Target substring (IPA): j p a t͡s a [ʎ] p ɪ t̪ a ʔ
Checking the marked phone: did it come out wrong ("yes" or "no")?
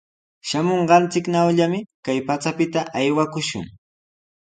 yes